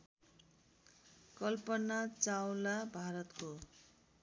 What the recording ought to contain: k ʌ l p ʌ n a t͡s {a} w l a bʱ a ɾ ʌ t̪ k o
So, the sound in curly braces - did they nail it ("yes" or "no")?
yes